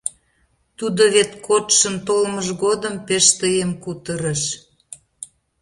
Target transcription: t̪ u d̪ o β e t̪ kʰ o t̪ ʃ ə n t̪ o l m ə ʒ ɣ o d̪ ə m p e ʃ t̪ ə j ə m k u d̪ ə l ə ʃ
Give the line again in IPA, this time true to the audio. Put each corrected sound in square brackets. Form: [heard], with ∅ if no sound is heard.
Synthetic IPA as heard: t̪ u d̪ o β e t̪ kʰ o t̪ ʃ ə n t̪ o l m ə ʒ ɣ o d̪ ə m p e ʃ t̪ ə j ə m k u [t̪] ə [ɾ] ə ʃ

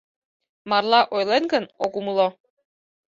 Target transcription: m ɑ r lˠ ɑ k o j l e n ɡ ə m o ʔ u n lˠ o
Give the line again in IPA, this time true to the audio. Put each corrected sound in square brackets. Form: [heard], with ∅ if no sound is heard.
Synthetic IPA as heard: m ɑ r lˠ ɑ [ʔ] o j l e n ɡ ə [n] o [k] u [m] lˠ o

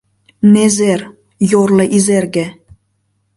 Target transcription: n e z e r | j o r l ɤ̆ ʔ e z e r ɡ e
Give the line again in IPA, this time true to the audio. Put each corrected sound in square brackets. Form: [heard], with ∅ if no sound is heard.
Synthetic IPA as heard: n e z e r | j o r l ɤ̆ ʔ [i] z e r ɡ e

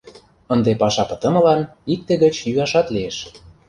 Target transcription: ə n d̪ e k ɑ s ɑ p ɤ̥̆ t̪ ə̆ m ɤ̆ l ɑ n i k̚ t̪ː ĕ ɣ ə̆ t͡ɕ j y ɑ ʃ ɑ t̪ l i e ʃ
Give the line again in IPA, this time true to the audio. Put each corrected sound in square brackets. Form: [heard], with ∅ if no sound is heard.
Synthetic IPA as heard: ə n d̪ e [p] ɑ [ʃ] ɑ p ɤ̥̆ t̪ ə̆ m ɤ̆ l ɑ n i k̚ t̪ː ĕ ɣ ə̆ t͡ɕ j y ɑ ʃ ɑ t̪ l i e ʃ

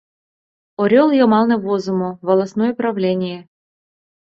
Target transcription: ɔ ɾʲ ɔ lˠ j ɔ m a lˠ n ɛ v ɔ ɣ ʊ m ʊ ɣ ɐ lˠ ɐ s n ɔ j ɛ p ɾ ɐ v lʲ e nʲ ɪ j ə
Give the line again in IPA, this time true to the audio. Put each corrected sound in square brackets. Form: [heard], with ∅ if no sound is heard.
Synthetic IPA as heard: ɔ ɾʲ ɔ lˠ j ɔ m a lˠ n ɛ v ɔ [z] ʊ m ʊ [v] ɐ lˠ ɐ s n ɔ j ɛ p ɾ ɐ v lʲ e nʲ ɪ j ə

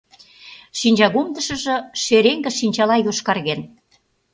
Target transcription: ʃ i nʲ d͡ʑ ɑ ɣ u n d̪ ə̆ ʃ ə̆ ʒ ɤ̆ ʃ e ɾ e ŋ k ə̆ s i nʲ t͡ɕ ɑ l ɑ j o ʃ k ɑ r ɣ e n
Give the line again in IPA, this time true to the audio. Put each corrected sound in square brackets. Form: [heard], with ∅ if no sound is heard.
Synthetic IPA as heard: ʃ i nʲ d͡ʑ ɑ ɣ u [m] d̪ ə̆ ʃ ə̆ ʒ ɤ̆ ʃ e ɾ e ŋ [ɡ] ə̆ [ʃ] i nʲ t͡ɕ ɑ l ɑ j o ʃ k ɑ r ɣ e n

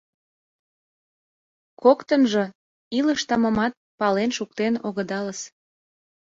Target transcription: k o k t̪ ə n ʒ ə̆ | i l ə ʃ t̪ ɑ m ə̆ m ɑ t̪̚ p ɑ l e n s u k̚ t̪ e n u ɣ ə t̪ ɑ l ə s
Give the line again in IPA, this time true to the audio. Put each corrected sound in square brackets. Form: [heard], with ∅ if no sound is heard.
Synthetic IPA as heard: k o k t̪ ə n ʒ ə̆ | i l ə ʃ t̪ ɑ m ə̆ m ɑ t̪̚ p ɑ l e n [ʃ] u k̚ t̪ e n [o] ɣ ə [d̪] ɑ l ə s

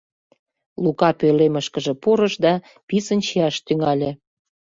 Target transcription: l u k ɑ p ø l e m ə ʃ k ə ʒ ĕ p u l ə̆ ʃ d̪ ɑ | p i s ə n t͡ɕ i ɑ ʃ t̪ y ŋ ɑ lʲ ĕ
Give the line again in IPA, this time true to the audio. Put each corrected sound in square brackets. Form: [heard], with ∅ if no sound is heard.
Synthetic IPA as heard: l u k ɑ p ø l e m ə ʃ k ə ʒ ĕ p u [ɾ] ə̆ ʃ d̪ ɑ | p i s ə n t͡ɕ i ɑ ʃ t̪ y ŋ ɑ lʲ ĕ

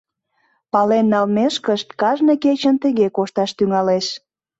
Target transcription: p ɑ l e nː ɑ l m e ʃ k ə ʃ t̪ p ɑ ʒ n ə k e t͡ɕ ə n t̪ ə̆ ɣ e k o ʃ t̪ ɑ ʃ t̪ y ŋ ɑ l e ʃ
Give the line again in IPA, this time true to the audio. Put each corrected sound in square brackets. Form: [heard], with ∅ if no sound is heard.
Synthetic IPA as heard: p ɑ l e nː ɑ l m e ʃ k ə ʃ t̪ [k] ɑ ʒ n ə k e t͡ɕ ə n t̪ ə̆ ɣ e k o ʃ t̪ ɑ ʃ t̪ y ŋ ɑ l e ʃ

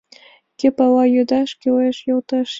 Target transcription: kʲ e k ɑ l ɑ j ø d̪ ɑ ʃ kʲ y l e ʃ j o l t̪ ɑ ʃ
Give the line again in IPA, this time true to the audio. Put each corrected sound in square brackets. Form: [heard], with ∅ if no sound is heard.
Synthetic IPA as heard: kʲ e [p] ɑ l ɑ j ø d̪ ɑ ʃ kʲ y l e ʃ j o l t̪ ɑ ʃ

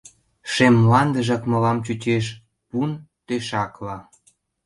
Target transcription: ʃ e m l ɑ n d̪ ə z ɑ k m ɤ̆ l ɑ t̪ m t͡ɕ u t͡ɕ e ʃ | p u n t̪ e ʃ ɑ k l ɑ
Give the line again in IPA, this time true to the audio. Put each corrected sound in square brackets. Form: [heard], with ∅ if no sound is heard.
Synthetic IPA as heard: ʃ e m l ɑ n d̪ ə [ʒ] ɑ k m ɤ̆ l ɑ [∅] m t͡ɕ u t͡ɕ e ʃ | p u n t̪ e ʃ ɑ k l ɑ

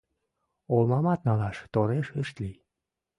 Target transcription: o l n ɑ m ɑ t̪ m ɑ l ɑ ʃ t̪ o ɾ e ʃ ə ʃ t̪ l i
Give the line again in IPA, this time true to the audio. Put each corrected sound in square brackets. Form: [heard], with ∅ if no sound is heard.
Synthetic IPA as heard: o l [m] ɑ m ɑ t̪ [n] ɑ l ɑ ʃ t̪ o ɾ e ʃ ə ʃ t̪ l i

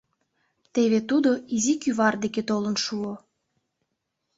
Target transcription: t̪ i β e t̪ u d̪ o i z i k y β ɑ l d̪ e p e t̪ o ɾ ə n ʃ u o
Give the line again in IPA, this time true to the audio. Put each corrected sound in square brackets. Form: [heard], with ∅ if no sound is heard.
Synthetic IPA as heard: t̪ [e] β e t̪ u d̪ o i z i k y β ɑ [r] d̪ e [k] e t̪ o [l] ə n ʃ u o

